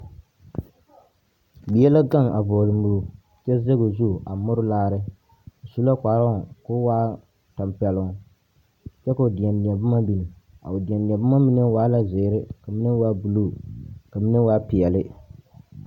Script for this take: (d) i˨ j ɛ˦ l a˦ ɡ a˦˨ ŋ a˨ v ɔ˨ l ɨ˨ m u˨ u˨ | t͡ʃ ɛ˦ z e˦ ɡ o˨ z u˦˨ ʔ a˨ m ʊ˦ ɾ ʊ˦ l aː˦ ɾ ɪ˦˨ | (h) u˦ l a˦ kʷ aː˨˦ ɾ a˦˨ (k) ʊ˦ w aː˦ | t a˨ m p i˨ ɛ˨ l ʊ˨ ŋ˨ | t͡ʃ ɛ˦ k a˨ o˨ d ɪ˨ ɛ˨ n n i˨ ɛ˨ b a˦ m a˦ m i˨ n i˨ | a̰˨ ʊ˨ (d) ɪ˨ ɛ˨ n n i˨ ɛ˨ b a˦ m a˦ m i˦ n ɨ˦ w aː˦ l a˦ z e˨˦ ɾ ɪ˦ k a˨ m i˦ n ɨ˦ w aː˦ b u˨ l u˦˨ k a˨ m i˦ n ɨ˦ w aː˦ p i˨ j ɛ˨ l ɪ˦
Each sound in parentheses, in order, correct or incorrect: incorrect, incorrect, correct, correct

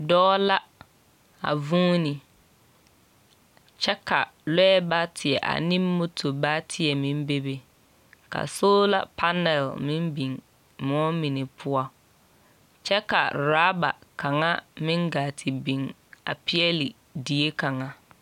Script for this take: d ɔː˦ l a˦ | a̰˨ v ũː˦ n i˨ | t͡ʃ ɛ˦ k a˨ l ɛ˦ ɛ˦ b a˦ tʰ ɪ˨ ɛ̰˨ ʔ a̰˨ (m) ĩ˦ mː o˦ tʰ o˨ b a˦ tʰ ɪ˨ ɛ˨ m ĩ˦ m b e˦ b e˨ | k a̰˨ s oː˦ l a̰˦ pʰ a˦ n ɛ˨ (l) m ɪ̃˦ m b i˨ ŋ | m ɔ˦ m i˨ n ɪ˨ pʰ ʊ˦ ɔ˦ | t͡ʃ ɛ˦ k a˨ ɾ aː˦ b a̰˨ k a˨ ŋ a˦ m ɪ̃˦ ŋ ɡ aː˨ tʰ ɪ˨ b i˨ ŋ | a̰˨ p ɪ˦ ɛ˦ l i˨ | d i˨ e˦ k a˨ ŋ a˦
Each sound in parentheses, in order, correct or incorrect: incorrect, correct

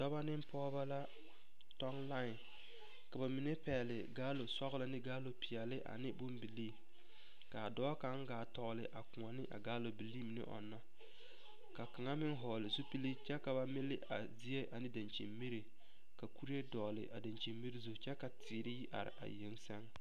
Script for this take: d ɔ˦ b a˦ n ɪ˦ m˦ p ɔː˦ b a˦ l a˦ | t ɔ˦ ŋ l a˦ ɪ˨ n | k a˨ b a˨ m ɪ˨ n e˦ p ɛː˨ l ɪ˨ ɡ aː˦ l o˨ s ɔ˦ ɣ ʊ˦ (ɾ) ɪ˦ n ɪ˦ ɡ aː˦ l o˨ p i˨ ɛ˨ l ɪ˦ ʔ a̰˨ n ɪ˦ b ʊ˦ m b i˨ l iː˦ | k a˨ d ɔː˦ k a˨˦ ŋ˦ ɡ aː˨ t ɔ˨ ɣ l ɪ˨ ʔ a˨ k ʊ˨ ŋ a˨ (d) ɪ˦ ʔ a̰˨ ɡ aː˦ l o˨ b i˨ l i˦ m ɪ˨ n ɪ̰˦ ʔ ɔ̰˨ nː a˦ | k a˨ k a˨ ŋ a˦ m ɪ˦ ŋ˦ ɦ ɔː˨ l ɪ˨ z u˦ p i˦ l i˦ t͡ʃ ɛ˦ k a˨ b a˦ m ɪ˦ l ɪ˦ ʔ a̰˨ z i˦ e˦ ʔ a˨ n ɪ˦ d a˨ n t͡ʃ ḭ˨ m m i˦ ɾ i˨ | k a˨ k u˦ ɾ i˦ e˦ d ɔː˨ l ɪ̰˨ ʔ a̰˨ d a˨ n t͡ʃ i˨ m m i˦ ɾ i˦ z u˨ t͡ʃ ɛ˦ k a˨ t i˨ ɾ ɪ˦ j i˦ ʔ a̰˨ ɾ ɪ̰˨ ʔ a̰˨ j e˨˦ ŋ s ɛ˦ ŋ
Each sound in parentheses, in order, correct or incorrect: incorrect, incorrect

